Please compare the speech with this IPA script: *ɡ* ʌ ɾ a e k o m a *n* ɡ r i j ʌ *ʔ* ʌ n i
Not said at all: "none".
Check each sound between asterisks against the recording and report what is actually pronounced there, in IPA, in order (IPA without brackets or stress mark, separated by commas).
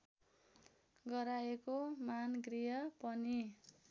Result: ɡ, n, p